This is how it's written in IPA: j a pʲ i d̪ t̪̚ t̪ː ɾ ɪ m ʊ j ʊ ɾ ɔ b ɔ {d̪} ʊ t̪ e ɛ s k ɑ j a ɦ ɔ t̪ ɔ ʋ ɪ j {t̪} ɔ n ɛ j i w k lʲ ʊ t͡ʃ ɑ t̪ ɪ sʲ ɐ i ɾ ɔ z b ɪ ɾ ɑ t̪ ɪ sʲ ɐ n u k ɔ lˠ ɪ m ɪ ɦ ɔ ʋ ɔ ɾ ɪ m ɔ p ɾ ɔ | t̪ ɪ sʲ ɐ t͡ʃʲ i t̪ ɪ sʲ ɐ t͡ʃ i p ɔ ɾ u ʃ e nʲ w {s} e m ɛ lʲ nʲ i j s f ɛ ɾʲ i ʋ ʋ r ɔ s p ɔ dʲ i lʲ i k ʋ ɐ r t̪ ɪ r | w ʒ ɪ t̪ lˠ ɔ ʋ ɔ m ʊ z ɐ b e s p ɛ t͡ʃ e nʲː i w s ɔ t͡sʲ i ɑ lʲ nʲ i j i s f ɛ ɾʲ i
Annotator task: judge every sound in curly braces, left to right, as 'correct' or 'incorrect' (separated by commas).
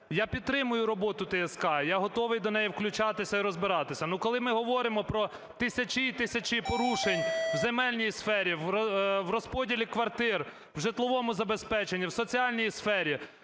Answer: incorrect, incorrect, incorrect